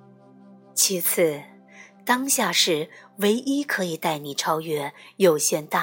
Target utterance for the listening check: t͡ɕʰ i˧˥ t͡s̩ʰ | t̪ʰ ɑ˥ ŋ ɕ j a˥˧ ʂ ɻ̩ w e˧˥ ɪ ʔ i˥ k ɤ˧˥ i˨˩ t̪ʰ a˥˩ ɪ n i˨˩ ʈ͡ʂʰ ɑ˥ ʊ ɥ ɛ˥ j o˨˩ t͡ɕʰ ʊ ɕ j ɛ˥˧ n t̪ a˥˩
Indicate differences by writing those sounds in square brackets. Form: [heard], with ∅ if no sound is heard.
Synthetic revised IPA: t͡ɕʰ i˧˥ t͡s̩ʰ | [t̪] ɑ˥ ŋ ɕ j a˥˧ ʂ ɻ̩ w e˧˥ ɪ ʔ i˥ [kʰ] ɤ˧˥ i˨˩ [t̪] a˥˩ ɪ n i˨˩ ʈ͡ʂʰ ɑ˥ ʊ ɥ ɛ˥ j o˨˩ [∅] ʊ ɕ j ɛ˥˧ n t̪ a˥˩